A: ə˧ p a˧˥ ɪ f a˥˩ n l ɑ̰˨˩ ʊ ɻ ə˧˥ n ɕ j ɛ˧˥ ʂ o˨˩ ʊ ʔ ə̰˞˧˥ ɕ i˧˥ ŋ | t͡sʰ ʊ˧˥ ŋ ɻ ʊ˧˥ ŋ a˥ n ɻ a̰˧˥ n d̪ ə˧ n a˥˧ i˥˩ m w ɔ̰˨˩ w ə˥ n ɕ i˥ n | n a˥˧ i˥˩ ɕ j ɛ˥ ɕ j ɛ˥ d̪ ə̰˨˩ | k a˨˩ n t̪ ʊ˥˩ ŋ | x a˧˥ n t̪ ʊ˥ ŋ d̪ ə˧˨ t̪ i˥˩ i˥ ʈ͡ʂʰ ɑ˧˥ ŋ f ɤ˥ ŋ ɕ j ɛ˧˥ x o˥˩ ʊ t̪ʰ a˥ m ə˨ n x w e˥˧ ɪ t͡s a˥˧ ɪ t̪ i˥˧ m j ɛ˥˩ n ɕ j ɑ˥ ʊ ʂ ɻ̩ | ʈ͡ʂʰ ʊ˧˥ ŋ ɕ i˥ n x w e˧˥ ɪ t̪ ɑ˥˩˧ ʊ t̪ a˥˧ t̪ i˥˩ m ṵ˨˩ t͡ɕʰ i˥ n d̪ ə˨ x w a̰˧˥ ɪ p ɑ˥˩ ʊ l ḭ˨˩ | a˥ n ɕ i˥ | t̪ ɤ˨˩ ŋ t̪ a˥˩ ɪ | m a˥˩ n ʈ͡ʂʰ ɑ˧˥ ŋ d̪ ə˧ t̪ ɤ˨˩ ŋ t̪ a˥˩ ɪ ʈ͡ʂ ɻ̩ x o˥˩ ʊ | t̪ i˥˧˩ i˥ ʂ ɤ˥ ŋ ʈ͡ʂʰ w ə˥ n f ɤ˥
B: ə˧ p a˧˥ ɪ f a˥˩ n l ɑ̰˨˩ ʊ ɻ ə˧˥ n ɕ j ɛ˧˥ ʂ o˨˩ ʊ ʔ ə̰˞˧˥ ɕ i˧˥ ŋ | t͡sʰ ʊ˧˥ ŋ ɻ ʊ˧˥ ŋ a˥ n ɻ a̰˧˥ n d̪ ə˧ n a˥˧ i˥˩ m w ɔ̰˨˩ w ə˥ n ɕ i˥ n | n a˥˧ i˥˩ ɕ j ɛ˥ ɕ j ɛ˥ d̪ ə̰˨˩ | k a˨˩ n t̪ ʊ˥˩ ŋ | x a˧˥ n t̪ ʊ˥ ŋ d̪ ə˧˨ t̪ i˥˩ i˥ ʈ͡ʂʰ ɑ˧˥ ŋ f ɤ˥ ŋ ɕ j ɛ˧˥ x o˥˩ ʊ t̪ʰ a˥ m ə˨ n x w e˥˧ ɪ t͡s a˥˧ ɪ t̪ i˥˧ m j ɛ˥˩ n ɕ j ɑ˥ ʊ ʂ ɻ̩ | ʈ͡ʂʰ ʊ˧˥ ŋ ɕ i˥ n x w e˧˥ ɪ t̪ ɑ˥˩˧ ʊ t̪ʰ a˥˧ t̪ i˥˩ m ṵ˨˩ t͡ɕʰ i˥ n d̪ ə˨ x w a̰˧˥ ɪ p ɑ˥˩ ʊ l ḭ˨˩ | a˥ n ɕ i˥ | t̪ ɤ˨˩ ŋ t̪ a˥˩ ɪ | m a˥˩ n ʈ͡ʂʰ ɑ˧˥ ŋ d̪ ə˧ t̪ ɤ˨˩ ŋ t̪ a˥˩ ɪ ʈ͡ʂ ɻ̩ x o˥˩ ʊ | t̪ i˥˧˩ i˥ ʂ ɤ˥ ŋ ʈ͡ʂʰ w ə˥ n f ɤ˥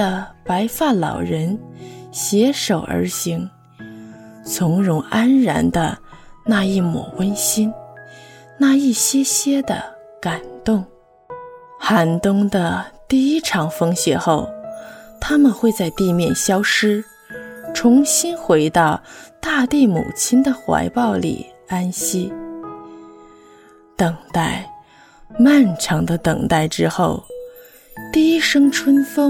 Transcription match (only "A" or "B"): A